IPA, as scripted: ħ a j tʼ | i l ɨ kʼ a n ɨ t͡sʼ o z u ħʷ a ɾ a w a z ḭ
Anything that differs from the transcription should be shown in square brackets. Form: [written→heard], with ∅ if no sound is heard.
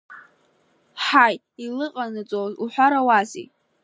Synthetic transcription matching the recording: ħ a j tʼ | i l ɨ [kʼ→qʼ] a n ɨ t͡sʼ o z u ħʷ a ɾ a w a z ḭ